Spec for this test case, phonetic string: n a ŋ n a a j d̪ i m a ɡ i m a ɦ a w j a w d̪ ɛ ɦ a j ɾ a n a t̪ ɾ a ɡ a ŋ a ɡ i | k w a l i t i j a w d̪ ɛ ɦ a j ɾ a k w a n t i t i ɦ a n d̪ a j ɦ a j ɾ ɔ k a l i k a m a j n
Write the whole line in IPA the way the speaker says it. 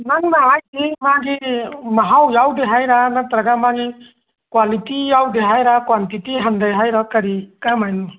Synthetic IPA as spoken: n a ŋ n a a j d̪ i m a ɡ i m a ɦ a w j a w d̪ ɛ ɦ a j ɾ a n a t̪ ɾ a ɡ a m a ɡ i | k w a l i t i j a w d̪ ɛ ɦ a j ɾ a k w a n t i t i ɦ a n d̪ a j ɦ a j ɾ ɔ k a ɾ i k a m a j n